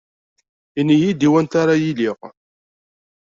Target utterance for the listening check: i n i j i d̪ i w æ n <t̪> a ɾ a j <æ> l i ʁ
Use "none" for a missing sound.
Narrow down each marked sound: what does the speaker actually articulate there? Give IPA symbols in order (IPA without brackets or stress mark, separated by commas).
t̪, i